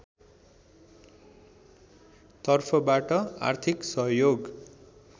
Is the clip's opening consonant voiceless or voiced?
voiceless